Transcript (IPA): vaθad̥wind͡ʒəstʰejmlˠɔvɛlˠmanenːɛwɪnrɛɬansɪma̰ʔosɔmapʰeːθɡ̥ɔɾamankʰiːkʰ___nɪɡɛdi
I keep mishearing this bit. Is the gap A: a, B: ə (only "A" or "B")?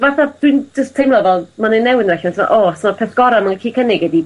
B